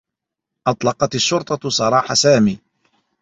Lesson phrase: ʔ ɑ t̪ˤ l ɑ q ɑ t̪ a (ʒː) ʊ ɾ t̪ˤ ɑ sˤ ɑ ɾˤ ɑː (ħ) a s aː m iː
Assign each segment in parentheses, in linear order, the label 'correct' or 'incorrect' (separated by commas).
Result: incorrect, correct